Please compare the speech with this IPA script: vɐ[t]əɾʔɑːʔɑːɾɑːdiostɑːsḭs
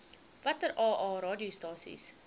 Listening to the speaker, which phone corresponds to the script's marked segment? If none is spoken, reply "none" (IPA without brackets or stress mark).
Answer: t